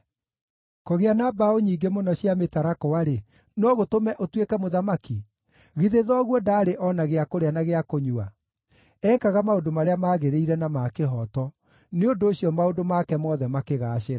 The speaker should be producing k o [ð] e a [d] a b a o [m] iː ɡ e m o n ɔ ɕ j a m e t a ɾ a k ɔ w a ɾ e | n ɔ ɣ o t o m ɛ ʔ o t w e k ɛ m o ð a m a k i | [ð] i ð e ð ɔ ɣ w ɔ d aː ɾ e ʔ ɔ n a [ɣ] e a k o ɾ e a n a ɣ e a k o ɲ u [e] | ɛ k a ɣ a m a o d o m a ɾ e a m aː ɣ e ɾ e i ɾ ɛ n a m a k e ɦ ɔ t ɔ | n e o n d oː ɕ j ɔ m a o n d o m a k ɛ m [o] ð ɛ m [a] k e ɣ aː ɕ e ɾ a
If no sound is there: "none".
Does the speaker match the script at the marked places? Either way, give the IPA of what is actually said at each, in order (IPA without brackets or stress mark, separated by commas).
ɣ, n, ɲ, ɣ, ɣ, a, ɔ, a